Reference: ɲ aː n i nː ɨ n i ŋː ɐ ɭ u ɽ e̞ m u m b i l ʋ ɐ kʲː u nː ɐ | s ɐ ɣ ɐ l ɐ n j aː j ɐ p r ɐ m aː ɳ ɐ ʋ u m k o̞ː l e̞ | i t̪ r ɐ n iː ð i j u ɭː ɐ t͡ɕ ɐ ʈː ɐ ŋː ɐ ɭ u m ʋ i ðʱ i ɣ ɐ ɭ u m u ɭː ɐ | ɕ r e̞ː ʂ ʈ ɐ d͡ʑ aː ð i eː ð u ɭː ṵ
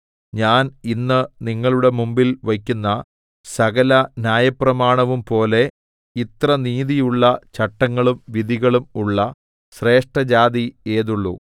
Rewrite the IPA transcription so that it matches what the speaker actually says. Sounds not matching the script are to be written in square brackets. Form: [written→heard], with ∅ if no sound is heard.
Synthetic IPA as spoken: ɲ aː n i nː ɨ n i ŋː ɐ ɭ u ɽ e̞ m u m b i l ʋ ɐ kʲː u nː ɐ | s ɐ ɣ ɐ l ɐ n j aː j ɐ p r ɐ m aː ɳ ɐ ʋ u m [k→p] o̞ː l e̞ | i t̪ r ɐ n iː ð i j u ɭː ɐ t͡ɕ ɐ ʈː ɐ ŋː ɐ ɭ u m ʋ i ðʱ i ɣ ɐ ɭ u m u ɭː ɐ | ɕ r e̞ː ʂ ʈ ɐ d͡ʑ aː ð i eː ð u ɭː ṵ